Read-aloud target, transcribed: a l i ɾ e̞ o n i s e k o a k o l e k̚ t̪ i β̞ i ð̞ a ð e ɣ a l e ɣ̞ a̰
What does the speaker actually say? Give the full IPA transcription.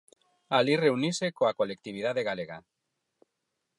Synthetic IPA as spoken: a l i r e̞ u n i s e k o a k o l e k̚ t̪ i β̞ i ð̞ a ð e ɣ a l e ɣ̞ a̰